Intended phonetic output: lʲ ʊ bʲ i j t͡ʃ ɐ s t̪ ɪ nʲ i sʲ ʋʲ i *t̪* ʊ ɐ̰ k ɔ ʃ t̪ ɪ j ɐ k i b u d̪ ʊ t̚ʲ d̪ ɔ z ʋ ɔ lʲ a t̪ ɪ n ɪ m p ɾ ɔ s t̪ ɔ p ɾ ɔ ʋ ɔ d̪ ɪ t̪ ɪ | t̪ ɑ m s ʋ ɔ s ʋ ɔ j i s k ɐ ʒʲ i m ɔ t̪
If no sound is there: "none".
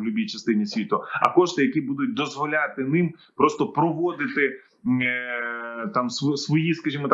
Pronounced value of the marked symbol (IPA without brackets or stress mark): t̪